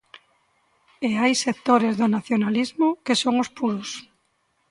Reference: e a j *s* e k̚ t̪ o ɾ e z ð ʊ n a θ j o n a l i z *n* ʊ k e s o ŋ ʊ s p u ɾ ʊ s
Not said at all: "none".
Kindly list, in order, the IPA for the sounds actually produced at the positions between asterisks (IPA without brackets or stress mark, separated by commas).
s, m